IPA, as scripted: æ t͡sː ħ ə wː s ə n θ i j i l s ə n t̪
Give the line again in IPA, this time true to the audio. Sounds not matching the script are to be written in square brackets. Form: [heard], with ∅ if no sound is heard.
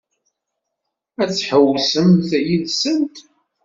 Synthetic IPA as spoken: æ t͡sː ħ ə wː s ə [m] θ [æ] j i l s ə n t̪

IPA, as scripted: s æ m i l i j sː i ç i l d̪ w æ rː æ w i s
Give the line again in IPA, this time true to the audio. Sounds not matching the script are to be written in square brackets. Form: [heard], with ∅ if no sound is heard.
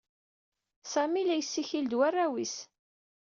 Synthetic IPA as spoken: s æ m i l [æ] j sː i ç i l d̪ w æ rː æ w i s

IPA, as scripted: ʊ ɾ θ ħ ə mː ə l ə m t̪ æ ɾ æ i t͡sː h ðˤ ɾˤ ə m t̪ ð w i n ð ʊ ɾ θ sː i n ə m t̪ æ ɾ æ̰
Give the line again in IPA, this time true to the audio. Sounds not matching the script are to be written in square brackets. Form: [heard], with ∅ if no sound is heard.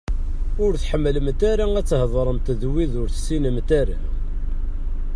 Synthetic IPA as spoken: ʊ ɾ θ ħ ə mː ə l ə m t̪ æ ɾ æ [æ] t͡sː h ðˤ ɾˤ ə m t̪ ð w i [∅] ð ʊ ɾ θ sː i n ə m t̪ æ ɾ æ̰

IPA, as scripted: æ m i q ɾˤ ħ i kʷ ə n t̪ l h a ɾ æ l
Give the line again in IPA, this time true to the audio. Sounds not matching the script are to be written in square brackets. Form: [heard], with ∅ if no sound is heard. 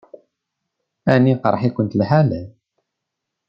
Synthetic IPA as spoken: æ [n] i q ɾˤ ħ i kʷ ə n t̪ l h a [l] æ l

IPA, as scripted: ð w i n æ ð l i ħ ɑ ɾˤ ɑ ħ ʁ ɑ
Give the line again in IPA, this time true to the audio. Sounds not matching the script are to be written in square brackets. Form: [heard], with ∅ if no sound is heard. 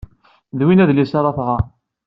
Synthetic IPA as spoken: ð w i n æ ð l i [s] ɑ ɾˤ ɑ [θ] ʁ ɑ

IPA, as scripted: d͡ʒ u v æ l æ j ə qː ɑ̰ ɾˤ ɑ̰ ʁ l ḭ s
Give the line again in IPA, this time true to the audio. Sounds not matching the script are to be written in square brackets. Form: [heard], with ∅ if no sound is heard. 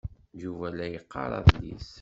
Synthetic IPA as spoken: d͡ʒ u v æ l æ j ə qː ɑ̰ ɾˤ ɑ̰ [ð] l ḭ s

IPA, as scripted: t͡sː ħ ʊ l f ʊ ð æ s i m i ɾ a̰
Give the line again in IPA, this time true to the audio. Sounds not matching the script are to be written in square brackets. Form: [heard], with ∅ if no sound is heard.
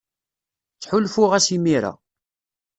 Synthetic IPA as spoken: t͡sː ħ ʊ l f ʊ [ʁ] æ s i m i ɾ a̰

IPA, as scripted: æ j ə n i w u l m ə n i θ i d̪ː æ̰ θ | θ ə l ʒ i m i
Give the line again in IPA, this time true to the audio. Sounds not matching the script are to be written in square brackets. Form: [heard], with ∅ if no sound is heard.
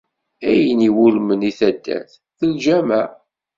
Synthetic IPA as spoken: æ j ə n i w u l m ə n i θ [æ] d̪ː æ̰ θ | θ ə l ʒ [æ] m [æ]

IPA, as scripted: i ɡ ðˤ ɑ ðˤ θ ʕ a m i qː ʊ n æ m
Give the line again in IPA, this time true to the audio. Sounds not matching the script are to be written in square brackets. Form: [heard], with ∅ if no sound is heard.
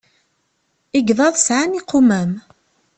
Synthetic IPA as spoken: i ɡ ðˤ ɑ ðˤ [s] ʕ a [n] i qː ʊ [m] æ m

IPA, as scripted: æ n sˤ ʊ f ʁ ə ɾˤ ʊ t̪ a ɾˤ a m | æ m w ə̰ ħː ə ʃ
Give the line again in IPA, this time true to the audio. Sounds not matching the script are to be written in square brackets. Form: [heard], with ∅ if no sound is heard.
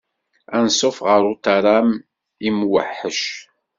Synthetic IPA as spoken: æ n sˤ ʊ f ʁ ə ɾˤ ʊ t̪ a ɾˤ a m | [i] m w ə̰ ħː ə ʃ

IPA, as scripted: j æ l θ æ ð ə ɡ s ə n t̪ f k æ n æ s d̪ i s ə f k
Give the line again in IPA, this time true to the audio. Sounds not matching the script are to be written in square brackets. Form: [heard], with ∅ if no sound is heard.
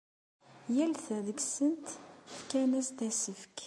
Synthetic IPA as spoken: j æ l θ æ ð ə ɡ s ə n t̪ f k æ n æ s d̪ [æ] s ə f k

